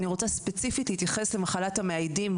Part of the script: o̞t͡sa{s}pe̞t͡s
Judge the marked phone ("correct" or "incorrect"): correct